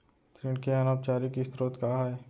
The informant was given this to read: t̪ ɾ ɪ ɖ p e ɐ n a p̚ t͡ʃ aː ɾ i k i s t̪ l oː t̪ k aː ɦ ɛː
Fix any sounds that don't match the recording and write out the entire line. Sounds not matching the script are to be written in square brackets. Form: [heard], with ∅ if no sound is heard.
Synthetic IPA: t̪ ɾ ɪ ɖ [k] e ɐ n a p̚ t͡ʃ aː ɾ i k i s t̪ [ɾ] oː t̪ k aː ɦ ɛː